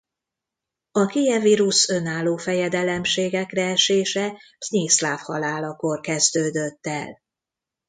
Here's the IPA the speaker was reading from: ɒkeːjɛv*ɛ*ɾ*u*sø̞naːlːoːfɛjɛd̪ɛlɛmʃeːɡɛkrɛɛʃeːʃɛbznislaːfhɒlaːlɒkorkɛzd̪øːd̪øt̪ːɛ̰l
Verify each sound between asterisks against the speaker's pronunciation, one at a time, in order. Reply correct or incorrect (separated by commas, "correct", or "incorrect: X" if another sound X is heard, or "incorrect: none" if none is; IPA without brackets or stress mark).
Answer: incorrect: i, correct